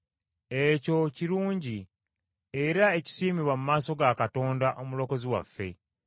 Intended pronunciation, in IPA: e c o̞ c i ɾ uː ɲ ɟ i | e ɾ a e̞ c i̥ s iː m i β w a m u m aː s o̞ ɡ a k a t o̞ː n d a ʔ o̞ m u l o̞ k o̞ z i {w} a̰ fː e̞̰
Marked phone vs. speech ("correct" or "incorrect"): correct